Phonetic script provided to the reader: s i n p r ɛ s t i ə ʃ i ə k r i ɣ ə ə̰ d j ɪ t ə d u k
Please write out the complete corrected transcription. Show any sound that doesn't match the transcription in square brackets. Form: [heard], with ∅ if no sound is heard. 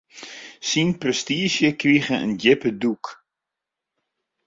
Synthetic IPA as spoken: s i n p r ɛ s t i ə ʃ [j] ə k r i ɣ ə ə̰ [n] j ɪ [p] ə d u k